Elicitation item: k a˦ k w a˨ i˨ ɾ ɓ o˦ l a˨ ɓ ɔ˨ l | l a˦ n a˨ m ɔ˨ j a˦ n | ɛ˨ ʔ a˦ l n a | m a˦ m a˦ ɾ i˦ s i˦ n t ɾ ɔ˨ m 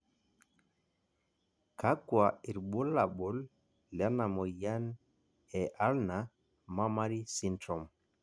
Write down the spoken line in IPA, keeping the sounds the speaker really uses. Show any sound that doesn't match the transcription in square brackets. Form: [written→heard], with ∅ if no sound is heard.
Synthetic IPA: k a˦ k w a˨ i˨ ɾ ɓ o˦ l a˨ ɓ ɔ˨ l | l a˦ n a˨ m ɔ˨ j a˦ n | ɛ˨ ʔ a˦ l n a | m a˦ m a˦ ɾ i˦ s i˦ n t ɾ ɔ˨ m